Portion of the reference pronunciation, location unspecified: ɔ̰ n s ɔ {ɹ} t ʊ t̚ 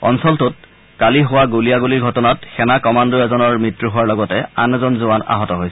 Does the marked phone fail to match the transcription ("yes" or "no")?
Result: yes